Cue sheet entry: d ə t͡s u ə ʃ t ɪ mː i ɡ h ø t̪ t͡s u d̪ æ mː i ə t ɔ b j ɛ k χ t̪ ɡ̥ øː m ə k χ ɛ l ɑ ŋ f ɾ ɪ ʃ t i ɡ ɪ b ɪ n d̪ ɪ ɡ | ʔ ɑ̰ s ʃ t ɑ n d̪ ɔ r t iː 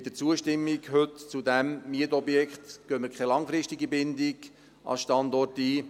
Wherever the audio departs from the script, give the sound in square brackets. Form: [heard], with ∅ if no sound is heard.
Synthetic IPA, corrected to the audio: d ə t͡s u ə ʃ t ɪ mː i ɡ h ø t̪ t͡s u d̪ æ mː i ə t ɔ b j ɛ k χ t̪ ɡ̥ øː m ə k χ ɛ l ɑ ŋ f ɾ ɪ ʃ t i ɡ [i] b ɪ n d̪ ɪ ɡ | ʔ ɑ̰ s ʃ t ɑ n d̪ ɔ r t iː